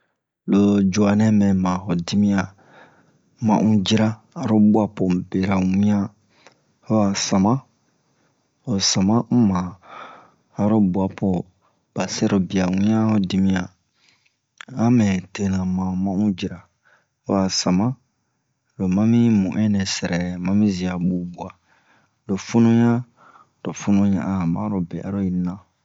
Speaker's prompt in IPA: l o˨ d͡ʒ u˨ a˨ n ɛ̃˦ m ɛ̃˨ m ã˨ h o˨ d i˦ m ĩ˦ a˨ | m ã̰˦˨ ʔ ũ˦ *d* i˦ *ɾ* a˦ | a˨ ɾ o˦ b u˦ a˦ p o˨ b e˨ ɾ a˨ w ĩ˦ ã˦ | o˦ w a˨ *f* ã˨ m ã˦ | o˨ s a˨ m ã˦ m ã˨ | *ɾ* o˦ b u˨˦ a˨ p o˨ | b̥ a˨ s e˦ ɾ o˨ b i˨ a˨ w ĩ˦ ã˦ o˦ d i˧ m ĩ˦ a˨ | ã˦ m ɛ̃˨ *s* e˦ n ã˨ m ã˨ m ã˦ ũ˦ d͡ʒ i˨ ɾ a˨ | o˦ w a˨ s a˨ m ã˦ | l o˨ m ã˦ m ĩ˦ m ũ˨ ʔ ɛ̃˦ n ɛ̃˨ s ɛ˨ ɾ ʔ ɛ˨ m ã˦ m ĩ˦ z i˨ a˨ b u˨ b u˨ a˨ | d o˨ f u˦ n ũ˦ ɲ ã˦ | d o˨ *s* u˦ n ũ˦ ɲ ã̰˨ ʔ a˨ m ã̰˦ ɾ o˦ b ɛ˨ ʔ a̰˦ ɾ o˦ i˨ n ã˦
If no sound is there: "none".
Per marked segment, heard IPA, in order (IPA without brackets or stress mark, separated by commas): d͡ʒ, ɾ, s, ɾ, t, f